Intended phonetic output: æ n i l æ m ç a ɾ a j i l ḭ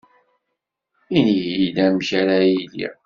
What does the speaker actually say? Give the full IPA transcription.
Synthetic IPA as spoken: i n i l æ m ç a ɾ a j i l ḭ